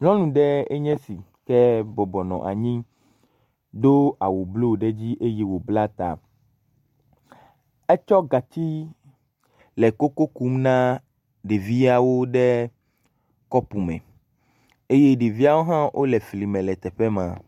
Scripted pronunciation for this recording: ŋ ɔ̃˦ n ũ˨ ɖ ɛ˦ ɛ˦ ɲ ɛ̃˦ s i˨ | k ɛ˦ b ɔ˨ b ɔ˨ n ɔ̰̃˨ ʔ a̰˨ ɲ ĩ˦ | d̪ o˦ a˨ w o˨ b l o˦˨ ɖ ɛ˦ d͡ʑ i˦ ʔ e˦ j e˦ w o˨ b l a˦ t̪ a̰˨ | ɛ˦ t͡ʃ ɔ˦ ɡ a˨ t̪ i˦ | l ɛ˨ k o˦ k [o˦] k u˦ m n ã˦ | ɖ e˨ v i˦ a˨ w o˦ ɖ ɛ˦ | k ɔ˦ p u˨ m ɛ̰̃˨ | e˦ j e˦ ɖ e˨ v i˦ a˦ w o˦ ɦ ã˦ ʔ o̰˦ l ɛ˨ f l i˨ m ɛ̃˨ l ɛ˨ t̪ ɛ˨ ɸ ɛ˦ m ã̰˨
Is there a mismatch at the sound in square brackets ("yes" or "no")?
no